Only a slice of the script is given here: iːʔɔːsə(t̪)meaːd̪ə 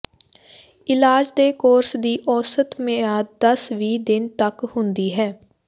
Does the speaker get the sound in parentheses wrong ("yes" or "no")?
no